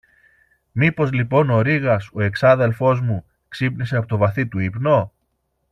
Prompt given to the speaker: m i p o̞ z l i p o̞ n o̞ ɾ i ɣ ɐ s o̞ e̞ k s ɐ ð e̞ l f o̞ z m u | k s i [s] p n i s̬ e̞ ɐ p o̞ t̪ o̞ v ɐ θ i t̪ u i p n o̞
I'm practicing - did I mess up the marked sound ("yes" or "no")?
yes